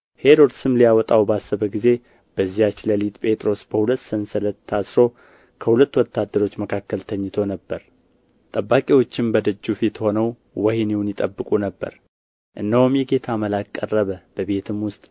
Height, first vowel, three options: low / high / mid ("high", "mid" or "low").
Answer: mid